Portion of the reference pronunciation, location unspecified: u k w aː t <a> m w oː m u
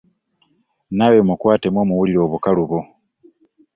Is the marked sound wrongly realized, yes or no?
yes